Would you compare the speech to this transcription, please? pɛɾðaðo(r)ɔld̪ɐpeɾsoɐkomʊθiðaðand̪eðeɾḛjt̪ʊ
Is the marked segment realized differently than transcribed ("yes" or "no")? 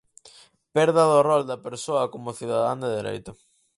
no